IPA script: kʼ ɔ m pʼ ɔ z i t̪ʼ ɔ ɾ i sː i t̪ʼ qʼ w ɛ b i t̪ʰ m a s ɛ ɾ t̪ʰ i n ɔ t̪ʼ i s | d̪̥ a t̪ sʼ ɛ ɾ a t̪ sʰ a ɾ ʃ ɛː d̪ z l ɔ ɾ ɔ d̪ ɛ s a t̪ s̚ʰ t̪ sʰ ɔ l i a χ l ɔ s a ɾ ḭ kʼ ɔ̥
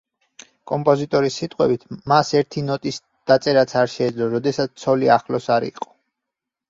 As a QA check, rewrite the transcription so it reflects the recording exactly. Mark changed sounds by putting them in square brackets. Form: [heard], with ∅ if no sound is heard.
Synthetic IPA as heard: kʼ ɔ m pʼ ɔ z i t̪ʼ ɔ ɾ i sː i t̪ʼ qʼ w ɛ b i t̪ʰ m a s ɛ ɾ t̪ʰ i n ɔ t̪ʼ i s | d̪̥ a t̪ sʼ ɛ ɾ a t̪ sʰ a ɾ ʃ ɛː d̪ z l ɔ ɾ ɔ d̪ ɛ s a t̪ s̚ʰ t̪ sʰ ɔ l i a χ l ɔ s a ɾ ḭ [qʼ] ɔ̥